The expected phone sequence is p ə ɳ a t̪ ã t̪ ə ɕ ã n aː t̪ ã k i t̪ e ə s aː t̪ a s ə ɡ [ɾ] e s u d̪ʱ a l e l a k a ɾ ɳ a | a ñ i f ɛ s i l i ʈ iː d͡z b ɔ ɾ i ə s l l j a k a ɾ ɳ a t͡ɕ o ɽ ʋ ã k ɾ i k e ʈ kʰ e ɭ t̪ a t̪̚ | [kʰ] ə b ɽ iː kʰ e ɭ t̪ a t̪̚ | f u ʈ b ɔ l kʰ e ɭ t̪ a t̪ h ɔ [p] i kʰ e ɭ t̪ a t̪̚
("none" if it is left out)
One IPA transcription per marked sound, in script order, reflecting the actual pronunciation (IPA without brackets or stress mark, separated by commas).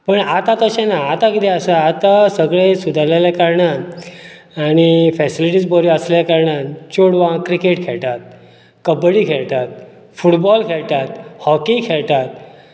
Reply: ɭ, k, k